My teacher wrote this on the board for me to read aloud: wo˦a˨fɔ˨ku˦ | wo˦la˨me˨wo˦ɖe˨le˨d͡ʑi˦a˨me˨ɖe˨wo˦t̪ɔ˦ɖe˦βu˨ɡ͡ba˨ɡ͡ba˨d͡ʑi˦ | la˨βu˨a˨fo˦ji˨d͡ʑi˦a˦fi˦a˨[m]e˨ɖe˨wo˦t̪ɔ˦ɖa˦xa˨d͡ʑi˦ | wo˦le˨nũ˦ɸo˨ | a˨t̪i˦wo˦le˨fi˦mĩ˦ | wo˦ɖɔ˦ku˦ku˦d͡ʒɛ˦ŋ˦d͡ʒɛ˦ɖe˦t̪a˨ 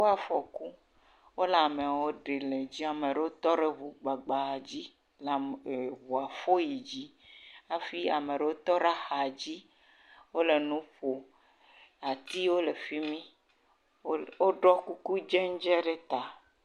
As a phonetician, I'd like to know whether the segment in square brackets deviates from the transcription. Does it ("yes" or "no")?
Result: no